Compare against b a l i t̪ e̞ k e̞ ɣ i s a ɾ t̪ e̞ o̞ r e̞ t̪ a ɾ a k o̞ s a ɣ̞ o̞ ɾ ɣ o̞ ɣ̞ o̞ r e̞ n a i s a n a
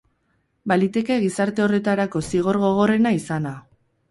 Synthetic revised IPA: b a l i t̪ e̞ k e̞ ɣ i s a ɾ t̪ e̞ o̞ r e̞ t̪ a ɾ a k o̞ s i ɣ̞ o̞ ɾ ɣ o̞ ɣ̞ o̞ r e̞ n a i s a n a